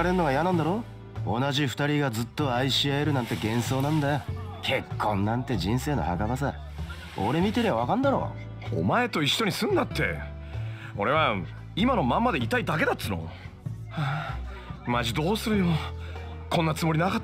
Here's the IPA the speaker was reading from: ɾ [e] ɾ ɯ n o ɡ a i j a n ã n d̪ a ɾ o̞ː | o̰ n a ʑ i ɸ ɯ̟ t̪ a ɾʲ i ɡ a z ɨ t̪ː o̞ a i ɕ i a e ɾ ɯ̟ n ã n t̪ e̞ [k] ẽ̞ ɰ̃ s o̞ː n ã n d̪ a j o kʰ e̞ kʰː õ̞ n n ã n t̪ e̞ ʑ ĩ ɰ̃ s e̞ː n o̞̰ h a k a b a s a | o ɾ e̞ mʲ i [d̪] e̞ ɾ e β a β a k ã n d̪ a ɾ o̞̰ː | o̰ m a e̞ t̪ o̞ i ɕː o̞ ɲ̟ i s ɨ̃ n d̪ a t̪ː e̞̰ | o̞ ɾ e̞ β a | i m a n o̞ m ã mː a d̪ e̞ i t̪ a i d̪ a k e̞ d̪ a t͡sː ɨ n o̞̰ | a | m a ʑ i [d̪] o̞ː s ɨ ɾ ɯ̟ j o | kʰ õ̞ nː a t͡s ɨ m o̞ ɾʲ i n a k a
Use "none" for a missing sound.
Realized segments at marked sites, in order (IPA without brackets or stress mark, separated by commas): e, ɡ, t̪, d̪